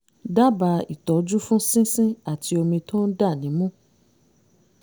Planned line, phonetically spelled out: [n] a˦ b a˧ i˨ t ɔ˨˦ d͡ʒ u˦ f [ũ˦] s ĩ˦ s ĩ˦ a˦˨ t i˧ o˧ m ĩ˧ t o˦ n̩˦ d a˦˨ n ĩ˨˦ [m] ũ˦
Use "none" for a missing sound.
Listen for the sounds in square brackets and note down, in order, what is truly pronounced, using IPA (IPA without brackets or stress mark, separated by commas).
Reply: d, ũ˦, m